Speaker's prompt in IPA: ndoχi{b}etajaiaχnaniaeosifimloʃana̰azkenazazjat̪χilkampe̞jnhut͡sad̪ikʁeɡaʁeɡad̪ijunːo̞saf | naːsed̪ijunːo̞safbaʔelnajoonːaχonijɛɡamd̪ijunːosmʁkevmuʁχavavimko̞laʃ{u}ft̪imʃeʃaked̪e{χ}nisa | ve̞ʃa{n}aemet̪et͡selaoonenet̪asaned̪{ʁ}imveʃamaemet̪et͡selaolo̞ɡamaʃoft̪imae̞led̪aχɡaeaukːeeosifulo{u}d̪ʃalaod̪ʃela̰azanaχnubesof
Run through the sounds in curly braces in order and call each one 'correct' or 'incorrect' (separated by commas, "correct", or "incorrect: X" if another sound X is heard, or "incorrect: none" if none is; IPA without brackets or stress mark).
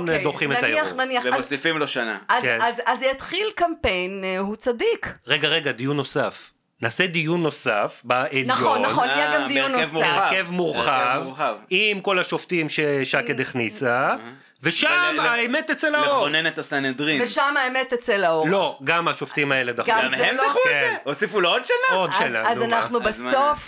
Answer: incorrect: m, incorrect: o, correct, incorrect: m, correct, incorrect: o